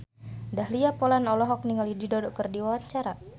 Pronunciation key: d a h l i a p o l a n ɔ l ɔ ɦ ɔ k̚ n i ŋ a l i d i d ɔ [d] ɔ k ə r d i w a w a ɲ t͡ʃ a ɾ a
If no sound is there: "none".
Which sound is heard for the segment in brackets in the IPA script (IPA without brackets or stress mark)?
d